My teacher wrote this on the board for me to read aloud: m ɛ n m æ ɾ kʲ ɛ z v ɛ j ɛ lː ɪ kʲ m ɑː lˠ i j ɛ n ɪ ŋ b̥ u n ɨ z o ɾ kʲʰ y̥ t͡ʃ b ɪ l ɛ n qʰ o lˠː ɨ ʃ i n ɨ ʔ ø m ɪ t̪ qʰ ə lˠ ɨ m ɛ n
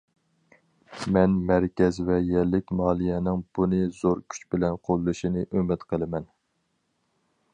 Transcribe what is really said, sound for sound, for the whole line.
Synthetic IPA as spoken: m ɛ n m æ ɾ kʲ ɛ z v ɛ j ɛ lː ɪ kʲ m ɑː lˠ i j ɛ n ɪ ŋ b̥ u n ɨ z o ɾ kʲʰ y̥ t͡ʃ b ɪ l ɛ n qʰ o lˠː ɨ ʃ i n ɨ ʔ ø m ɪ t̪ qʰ ə lˠ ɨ m ɛ n

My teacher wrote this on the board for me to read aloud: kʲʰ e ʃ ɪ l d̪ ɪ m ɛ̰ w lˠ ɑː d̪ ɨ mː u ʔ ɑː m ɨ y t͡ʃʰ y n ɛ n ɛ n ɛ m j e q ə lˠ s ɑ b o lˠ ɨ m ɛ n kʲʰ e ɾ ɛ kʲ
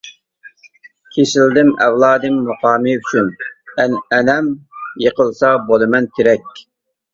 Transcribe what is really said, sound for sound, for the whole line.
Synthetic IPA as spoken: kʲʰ e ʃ ɪ l d̪ ɪ m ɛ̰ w lˠ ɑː d̪ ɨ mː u q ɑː m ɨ y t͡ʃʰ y n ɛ n ɛ n ɛ m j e q ə lˠ s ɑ b o lˠ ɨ m ɛ n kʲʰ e ɾ ɛ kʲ

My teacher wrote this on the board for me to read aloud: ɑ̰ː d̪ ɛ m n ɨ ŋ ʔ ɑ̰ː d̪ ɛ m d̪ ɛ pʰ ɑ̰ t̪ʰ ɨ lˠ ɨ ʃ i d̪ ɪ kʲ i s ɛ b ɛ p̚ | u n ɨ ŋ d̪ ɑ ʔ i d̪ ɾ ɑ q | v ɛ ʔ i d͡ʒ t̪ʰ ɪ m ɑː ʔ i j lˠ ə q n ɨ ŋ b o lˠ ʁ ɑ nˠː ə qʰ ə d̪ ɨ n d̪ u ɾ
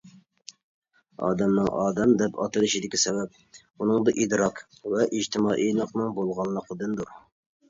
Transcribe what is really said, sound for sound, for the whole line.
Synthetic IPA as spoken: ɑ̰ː d̪ ɛ m n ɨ ŋ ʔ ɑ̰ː d̪ ɛ m d̪ ɛ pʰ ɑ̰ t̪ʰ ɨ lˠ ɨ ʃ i d̪ ɪ kʲ i s ɛ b ɛ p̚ | u n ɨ ŋ d̪ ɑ ʔ i d̪ ɾ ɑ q | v ɛ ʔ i d͡ʒ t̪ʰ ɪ m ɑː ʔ i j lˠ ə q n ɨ ŋ b o lˠ ʁ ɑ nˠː ə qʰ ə d̪ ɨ n d̪ u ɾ

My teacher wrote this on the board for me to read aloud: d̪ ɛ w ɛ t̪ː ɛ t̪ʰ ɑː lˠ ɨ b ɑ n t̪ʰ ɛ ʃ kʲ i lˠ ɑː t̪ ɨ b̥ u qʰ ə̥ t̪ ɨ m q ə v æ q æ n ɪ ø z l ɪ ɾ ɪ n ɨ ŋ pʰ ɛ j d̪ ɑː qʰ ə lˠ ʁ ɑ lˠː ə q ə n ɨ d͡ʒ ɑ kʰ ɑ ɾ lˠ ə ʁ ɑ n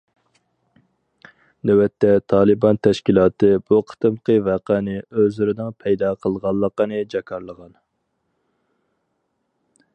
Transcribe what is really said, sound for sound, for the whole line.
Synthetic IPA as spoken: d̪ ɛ w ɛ t̪ː ɛ t̪ʰ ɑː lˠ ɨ b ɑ n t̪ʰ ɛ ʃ kʲ i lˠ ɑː t̪ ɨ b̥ u qʰ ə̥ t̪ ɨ m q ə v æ q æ n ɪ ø z l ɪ ɾ ɪ n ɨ ŋ pʰ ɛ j d̪ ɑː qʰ ə lˠ ʁ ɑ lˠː ə q ə n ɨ d͡ʒ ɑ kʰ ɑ ɾ lˠ ə ʁ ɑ n

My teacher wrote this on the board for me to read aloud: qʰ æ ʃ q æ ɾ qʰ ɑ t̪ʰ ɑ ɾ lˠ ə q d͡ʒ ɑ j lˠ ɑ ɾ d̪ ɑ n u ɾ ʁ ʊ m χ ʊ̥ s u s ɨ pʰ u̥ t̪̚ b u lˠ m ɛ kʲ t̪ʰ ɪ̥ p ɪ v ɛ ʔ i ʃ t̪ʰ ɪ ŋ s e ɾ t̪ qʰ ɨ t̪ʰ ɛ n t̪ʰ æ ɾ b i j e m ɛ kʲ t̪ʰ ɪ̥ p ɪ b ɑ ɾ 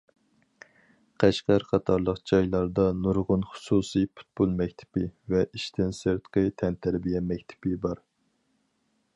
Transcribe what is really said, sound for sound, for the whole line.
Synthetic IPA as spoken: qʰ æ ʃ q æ ɾ qʰ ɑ t̪ʰ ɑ ɾ lˠ ə q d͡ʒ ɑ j lˠ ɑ ɾ d̪ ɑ n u ɾ ʁ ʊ n χ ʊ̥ s u s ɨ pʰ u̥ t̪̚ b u lˠ m ɛ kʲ t̪ʰ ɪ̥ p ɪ v ɛ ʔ i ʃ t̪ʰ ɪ n s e ɾ t̪ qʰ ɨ t̪ʰ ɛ n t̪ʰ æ ɾ b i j ɛ m ɛ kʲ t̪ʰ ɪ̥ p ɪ b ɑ ɾ

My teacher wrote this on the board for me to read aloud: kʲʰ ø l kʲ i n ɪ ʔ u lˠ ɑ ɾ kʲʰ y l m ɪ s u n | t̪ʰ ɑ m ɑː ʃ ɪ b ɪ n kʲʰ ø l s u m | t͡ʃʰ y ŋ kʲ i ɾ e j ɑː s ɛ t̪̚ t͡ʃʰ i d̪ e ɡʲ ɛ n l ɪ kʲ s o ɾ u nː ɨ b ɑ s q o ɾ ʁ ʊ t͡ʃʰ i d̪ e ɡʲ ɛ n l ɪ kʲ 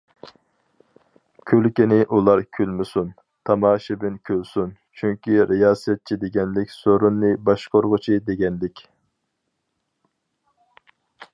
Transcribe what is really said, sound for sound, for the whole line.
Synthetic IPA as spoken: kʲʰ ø l kʲ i n ɪ ʔ u lˠ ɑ ɾ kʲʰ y l m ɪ s u n | t̪ʰ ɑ m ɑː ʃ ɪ b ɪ n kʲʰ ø l s u n | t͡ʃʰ y ŋ kʲ i ɾ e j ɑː s ɛ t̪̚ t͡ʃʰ i d̪ e ɡʲ ɛ n l ɪ kʲ s o ɾ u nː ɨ b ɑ ʃ q o ɾ ʁ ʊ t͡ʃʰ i d̪ e ɡʲ ɛ n l ɪ kʲ

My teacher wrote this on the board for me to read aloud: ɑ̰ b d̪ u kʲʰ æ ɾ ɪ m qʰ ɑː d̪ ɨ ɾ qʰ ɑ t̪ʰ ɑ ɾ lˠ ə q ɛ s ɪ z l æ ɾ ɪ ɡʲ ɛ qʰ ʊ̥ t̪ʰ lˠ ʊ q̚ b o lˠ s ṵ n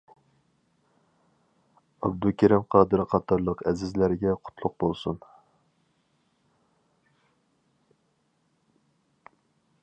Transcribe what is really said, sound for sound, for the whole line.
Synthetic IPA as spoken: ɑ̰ b d̪ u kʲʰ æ ɾ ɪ m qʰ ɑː d̪ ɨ ɾ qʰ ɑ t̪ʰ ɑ ɾ lˠ ə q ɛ z ɪ z l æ ɾ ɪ ɡʲ ɛ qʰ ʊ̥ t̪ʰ lˠ ʊ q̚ b o lˠ s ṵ n

